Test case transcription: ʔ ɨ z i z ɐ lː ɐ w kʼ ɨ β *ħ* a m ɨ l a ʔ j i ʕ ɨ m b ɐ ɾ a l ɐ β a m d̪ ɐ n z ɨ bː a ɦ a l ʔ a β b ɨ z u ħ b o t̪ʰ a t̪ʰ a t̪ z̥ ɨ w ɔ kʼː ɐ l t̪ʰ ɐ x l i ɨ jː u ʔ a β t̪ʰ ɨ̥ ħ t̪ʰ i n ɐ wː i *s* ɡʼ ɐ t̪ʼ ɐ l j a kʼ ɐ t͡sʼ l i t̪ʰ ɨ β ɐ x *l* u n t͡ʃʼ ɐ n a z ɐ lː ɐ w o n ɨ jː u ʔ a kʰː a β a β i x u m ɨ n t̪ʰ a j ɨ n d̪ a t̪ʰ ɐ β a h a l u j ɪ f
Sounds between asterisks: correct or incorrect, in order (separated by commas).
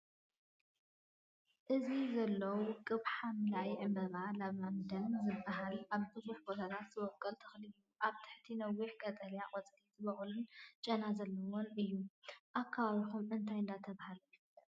correct, incorrect, correct